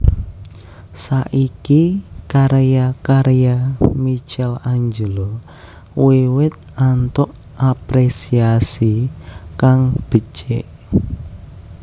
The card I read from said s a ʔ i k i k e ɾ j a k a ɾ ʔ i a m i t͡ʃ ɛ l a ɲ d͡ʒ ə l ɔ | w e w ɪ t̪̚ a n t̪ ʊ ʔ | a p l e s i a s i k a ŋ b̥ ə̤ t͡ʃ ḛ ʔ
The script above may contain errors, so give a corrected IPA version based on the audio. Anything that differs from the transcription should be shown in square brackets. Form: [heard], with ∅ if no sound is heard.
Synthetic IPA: s a ʔ i k i k [a] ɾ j a k a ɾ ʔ [j] a m i t͡ʃ ɛ l a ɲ d͡ʒ ə l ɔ | w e w ɪ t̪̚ a n t̪ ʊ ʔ | a p [ɾ] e s i a s i k a ŋ b̥ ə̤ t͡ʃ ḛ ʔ